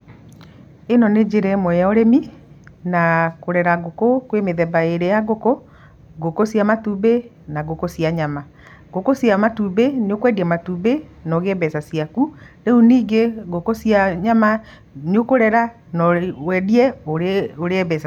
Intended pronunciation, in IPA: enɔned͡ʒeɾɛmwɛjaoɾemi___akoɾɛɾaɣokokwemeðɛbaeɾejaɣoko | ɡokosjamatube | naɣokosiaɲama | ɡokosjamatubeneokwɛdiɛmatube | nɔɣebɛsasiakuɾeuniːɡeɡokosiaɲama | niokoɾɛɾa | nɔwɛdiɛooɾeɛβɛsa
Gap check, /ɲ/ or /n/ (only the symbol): n